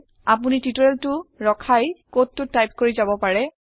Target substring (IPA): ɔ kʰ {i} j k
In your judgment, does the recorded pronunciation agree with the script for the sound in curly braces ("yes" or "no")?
no